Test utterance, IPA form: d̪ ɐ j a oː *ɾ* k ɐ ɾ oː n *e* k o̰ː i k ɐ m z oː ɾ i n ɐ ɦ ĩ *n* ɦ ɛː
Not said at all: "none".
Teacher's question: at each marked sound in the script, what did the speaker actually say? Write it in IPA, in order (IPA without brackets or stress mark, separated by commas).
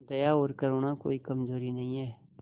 ɾ, a, none